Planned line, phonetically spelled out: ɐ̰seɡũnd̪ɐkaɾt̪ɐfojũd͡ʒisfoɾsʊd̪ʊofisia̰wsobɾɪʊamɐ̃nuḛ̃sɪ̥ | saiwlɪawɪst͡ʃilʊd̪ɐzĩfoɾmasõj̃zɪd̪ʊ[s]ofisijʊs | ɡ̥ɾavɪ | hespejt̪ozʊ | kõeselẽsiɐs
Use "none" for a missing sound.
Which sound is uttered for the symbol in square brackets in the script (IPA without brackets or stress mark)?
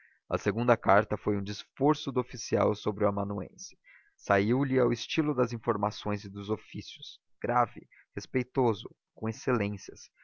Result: z